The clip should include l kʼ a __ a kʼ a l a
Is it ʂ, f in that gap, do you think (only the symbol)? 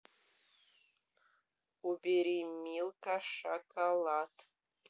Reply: ʂ